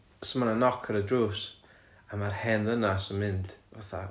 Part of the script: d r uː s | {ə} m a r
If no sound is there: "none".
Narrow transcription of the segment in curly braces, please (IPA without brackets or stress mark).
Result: a